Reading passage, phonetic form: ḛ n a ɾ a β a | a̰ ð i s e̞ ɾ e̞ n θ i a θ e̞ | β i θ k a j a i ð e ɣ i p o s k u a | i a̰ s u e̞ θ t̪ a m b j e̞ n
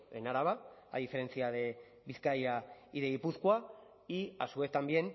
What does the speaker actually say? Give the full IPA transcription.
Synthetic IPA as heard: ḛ n a ɾ a β a | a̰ ð i f e̞ ɾ e̞ n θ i a ð e̞ | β i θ k a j a i ð e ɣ i p u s k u a | i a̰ s u e̞ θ t̪ a m b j e̞ n